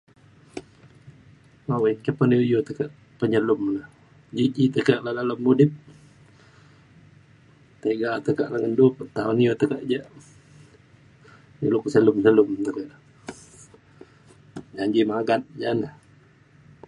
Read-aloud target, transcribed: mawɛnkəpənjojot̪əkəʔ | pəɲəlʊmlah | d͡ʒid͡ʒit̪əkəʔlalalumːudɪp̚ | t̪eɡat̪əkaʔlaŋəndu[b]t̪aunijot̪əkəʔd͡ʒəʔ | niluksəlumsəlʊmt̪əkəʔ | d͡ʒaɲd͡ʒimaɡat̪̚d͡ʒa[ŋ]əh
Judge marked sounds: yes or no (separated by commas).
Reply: no, no